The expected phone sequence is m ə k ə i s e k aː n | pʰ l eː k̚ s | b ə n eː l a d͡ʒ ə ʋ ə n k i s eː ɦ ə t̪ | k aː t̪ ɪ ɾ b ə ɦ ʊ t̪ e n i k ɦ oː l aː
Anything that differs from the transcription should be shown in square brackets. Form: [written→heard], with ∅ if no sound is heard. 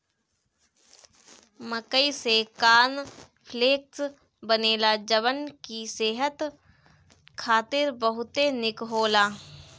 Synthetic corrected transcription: m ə k ə i s e k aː n | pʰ l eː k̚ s | b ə n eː l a d͡ʒ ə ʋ ə n k i s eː ɦ ə t̪ | [k→kʰ] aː t̪ ɪ ɾ b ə ɦ ʊ t̪ e n [i→ɪ] k ɦ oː l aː